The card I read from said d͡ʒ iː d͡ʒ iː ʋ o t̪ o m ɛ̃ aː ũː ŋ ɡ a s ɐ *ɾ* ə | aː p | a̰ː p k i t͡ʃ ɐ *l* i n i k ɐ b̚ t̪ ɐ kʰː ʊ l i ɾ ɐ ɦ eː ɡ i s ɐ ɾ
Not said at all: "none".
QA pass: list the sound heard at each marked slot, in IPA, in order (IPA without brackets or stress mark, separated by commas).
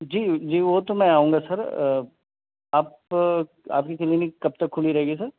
ɾ, l